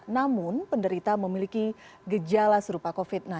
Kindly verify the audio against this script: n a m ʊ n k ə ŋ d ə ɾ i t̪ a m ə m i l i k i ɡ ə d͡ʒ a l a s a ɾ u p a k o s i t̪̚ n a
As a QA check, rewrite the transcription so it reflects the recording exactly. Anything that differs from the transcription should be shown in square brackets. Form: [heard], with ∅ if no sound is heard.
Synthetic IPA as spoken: n a m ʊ n [p] ə [n] d ə ɾ i t̪ a m ə m i l i k i ɡ ə d͡ʒ a l a s [ə] ɾ u p a k o [f] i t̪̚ n a